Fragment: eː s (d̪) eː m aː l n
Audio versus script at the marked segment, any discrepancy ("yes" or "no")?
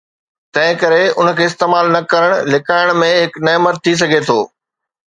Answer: yes